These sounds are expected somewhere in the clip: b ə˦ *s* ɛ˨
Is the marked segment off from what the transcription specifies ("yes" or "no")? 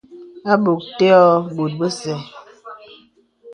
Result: no